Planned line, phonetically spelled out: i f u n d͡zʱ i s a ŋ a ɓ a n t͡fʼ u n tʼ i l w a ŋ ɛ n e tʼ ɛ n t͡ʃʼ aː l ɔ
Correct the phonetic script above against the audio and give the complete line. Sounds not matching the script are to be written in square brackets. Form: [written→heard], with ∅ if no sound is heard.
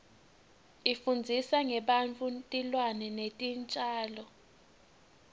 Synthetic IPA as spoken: i f u n d͡zʱ i s a ŋ [a→ɛ] ɓ a n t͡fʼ u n tʼ i l w a [ŋ→n] ɛ n e tʼ [ɛ→i] n t͡ʃʼ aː l ɔ